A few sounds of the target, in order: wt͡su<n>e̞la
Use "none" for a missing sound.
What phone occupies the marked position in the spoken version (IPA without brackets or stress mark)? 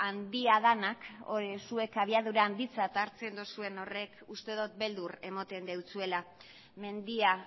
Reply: none